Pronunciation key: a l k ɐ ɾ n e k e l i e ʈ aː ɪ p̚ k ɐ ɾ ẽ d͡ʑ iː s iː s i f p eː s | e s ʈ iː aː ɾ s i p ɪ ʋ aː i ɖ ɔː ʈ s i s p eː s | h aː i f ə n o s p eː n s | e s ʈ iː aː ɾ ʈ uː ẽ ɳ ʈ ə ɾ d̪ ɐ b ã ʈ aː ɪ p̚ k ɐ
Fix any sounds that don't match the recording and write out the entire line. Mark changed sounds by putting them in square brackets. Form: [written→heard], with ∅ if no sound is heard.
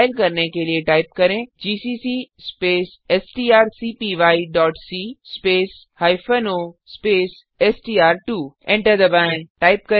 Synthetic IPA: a l k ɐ ɾ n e k e l i e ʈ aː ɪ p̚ k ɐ ɾ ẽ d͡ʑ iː s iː s i [f→s] p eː s | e s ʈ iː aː ɾ s i p [ɪ→i] ʋ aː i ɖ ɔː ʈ s i s p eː s | h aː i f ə n o s p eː [n→∅] s | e s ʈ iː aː ɾ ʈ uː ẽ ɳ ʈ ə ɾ d̪ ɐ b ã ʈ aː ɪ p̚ k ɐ

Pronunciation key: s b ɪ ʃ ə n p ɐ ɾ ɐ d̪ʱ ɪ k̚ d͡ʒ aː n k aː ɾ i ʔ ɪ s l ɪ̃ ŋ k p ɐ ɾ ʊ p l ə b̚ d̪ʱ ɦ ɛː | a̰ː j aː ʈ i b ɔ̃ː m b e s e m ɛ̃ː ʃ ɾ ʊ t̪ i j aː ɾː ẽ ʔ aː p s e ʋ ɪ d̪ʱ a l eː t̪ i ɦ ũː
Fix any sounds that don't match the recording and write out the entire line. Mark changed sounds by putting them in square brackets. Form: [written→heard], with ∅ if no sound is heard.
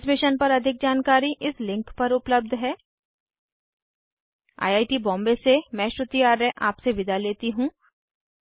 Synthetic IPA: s [b→m] ɪ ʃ ə n p ɐ ɾ ɐ d̪ʱ ɪ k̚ d͡ʒ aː n k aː ɾ i ʔ ɪ s l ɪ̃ ŋ k p ɐ ɾ ʊ p l ə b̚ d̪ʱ ɦ ɛː | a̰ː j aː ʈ i b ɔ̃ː m b e s e m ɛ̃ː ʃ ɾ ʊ t̪ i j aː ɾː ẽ ʔ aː p s e ʋ ɪ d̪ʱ a l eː t̪ i ɦ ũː

